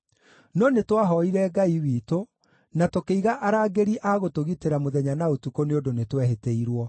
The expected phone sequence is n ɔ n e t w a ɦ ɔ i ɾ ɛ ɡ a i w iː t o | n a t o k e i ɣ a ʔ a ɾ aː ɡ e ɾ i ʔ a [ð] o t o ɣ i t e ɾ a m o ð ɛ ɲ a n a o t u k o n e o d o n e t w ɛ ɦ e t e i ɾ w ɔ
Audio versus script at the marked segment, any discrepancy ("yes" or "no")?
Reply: yes